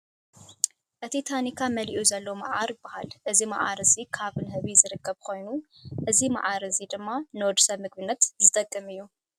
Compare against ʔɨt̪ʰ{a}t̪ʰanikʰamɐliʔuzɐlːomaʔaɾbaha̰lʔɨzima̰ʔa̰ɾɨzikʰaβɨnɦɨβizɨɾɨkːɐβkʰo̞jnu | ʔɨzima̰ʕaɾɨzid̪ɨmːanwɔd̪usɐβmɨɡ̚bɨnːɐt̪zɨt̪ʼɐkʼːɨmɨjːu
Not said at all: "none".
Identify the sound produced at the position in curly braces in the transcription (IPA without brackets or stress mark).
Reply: i